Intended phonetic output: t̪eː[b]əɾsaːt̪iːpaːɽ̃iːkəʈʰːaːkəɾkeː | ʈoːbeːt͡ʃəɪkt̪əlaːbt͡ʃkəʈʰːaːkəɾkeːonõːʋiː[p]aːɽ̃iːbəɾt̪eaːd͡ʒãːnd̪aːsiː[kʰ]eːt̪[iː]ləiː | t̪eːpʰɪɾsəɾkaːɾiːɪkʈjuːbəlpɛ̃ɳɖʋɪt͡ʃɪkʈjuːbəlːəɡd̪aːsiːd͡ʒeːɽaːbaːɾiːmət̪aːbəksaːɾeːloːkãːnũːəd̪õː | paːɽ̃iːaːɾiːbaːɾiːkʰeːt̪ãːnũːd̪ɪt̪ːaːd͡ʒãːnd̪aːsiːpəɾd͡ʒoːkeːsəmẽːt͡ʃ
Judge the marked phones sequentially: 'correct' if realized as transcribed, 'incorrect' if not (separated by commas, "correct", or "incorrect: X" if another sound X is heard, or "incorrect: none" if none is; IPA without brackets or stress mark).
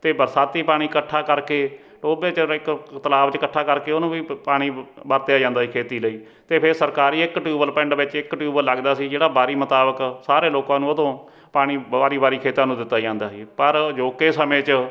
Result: correct, correct, correct, correct